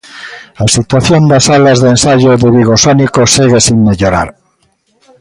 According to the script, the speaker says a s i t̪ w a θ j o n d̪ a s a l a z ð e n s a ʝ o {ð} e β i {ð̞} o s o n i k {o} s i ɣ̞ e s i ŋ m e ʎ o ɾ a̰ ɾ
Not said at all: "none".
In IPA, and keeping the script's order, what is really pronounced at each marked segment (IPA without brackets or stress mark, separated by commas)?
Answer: ð, ɣ̞, o